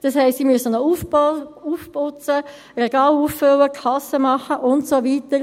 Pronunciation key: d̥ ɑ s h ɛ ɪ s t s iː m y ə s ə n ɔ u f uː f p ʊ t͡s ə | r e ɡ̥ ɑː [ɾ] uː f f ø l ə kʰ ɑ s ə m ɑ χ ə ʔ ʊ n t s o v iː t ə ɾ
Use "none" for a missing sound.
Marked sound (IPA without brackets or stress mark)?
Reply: l